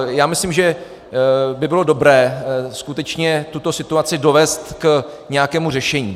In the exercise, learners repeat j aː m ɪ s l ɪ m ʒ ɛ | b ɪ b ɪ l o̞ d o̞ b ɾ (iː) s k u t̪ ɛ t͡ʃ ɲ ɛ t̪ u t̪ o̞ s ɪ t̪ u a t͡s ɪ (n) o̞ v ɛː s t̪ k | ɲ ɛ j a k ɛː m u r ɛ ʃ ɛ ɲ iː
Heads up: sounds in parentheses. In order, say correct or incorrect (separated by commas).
incorrect, incorrect